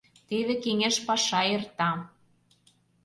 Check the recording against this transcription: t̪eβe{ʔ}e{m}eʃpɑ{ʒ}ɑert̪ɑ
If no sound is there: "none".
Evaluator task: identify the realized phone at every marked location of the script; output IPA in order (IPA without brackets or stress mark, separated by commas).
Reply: k, ŋ, ʃ